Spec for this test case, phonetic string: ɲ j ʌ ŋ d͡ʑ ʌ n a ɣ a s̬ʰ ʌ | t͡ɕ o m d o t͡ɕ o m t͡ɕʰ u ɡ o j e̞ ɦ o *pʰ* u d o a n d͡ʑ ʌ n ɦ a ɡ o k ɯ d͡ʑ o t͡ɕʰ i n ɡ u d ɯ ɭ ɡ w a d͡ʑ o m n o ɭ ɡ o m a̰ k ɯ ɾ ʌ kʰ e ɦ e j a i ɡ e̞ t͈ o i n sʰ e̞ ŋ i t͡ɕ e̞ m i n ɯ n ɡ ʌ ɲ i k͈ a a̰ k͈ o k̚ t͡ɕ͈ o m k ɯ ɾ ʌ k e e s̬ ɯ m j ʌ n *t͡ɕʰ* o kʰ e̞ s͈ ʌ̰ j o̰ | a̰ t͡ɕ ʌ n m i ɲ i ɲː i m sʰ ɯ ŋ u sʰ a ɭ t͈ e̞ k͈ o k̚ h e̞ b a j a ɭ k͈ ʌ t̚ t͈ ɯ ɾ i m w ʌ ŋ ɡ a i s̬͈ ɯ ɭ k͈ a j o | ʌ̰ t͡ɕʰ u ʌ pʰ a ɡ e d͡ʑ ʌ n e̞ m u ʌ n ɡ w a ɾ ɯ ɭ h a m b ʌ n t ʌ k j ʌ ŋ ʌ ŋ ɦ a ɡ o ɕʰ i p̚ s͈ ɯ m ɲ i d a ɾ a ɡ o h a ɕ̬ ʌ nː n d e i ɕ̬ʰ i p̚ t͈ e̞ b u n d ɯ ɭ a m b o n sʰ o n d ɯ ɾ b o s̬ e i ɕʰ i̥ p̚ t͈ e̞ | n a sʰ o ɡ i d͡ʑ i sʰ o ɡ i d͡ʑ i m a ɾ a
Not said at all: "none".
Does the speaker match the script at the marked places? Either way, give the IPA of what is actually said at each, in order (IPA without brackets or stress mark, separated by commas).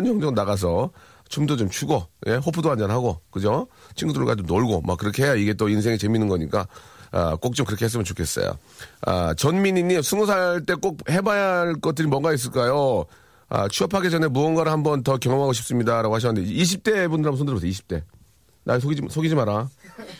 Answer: pʰ, t͡ɕ